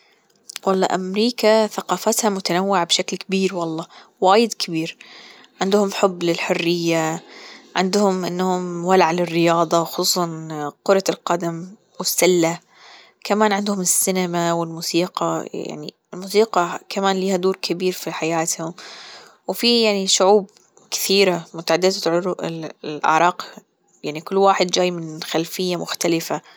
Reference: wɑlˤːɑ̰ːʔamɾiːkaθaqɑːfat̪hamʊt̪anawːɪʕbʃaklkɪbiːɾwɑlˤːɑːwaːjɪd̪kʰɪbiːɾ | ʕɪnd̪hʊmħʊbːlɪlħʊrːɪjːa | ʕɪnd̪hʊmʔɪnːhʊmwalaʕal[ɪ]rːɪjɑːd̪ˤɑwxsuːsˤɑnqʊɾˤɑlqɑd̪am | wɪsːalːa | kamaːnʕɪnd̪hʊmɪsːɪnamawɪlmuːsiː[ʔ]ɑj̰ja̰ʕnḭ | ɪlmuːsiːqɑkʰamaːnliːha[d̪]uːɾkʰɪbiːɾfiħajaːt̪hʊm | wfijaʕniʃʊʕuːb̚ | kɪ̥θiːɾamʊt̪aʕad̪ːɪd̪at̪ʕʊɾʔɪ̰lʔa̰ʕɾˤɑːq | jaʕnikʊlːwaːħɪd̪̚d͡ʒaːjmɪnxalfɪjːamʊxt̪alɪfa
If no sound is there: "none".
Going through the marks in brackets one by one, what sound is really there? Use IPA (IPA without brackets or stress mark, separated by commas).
ɪ, q, d̪